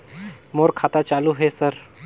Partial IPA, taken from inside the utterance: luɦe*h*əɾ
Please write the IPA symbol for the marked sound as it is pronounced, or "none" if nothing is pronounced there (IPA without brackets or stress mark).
s